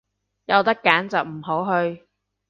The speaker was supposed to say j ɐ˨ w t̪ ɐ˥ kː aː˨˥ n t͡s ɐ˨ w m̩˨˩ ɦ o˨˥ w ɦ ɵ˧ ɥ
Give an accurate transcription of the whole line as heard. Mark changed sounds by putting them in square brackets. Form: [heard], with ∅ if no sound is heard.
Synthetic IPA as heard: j ɐ˨ w t̪ ɐ˥ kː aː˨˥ n t͡s ɐ˨ w m̩˨˩ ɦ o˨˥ w ɦ ɵ˧ ɥ